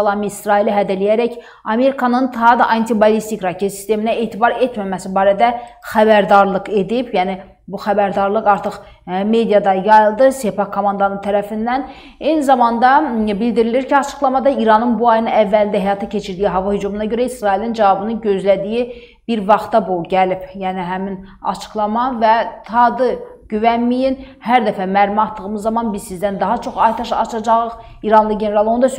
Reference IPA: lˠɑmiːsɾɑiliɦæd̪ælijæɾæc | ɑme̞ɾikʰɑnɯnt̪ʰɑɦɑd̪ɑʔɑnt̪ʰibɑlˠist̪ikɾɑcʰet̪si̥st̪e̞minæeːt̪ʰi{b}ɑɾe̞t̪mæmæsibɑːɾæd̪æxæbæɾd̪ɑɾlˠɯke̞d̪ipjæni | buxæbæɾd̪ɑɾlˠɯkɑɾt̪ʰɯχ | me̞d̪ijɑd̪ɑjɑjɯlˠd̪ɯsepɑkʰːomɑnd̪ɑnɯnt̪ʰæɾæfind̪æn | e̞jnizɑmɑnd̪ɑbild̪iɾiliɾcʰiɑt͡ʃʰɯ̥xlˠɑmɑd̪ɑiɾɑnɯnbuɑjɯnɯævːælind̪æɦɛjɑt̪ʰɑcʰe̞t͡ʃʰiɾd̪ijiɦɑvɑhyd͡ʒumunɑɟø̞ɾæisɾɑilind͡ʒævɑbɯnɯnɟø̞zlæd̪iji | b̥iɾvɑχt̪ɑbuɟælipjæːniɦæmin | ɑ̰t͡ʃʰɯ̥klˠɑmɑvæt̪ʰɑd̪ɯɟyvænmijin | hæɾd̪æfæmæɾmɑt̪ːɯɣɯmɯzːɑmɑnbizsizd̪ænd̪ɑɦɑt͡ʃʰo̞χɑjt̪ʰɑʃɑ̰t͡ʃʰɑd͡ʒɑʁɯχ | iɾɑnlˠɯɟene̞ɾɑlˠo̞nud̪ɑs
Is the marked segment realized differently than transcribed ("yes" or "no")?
no